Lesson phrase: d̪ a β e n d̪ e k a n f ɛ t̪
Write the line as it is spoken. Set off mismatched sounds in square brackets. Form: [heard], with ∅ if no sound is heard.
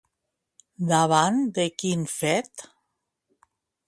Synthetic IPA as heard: d̪ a β [a] n d̪ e k [i] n f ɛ t̪